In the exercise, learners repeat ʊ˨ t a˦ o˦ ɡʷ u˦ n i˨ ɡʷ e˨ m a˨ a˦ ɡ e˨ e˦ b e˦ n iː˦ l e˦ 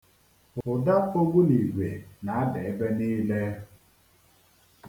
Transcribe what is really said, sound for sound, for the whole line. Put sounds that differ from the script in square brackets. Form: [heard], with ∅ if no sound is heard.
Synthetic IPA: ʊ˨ [d] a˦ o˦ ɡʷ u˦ n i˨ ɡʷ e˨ [n] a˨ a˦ [d] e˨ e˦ b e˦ n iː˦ l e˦